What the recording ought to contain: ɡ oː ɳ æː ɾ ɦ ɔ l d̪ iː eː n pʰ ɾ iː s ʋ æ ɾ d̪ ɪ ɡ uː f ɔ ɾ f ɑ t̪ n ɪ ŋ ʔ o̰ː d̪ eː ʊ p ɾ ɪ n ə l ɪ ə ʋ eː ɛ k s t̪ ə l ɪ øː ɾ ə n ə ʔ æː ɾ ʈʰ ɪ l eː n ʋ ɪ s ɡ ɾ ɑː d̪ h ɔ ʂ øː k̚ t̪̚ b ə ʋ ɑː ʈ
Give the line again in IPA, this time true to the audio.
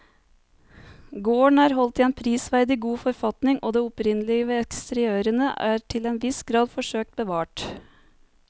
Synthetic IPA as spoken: ɡ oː ɳ æː ɾ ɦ ɔ l t̪ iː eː n pʰ ɾ iː s ʋ æ ɾ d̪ ɪ ɡ uː f ɔ ɾ f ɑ t̪ n ɪ ŋ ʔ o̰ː d̪ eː ʊ p ɾ ɪ n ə l ɪ ə ʋ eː ɛ k s t̪ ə ɾ ɪ øː ɾ ə n ə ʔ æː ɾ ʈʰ ɪ l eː n ʋ ɪ s ɡ ɾ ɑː d̪ f ɔ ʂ øː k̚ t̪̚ b ə ʋ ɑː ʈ